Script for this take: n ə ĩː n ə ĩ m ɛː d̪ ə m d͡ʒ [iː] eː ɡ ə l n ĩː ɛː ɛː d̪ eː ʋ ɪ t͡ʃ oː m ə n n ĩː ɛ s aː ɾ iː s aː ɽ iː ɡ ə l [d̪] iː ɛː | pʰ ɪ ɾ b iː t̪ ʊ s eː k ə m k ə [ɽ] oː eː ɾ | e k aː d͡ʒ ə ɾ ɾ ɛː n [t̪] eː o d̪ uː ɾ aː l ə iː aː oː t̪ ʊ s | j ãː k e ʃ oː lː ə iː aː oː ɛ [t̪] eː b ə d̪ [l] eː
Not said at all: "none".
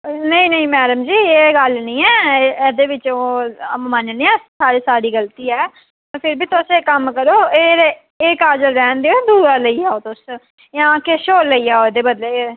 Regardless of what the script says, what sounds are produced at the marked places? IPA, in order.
iː, t̪, ɾ, d̪, d̪, l

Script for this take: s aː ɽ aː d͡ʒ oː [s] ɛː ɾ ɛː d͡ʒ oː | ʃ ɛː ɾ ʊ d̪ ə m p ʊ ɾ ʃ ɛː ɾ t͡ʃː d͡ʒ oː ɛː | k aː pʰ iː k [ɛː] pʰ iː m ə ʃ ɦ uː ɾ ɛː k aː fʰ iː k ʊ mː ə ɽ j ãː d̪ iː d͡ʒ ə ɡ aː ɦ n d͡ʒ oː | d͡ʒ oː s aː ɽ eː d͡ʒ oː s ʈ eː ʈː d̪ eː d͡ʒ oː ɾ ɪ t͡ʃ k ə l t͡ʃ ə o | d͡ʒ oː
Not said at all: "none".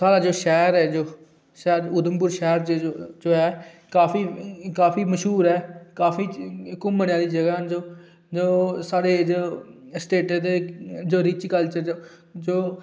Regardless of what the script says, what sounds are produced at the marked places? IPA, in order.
ʃ, aː

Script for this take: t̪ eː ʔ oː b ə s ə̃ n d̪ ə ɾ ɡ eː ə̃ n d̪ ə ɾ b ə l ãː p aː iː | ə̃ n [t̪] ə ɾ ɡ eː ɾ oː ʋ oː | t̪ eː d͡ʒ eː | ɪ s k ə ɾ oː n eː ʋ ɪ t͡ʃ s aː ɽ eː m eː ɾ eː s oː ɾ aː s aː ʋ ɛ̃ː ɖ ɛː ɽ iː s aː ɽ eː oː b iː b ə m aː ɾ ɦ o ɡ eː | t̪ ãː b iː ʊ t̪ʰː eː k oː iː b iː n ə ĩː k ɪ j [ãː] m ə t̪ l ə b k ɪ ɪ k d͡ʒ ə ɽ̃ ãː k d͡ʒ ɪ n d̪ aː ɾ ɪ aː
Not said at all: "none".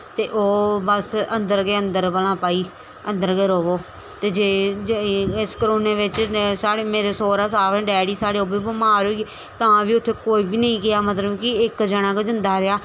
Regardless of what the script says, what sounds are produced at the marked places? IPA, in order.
d̪, aː

